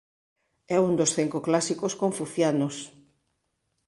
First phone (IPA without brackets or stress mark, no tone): ɛ